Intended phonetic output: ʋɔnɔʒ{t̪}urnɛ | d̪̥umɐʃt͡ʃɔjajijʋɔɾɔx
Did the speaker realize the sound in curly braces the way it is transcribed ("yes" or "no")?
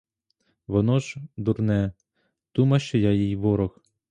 no